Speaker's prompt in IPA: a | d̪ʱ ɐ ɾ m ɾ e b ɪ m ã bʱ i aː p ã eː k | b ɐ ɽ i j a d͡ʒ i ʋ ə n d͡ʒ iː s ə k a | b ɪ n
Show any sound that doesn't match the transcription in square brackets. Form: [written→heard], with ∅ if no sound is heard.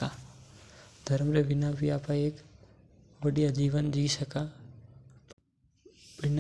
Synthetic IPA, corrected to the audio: a | d̪ʱ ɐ ɾ m ɾ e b ɪ [m→n] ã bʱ i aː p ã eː k | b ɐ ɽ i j a d͡ʒ [i→iː] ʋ ə n d͡ʒ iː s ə k a | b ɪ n